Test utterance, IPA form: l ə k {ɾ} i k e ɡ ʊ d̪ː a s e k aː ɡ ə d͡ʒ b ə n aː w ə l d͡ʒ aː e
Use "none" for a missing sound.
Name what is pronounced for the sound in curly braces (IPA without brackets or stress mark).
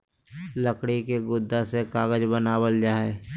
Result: ɽ